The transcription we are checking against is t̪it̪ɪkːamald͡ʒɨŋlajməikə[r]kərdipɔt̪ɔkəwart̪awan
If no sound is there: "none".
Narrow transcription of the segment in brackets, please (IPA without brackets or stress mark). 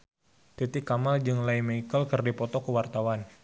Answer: l